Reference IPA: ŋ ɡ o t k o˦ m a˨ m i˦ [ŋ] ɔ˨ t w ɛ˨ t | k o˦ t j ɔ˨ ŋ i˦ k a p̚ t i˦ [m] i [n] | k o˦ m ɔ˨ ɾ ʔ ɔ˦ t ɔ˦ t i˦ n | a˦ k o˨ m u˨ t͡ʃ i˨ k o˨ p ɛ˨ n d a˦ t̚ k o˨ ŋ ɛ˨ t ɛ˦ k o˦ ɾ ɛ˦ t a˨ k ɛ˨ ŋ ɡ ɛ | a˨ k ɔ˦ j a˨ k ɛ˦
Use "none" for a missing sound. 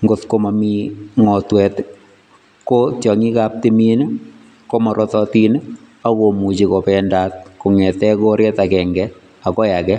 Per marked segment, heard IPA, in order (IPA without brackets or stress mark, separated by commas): ŋ, m, n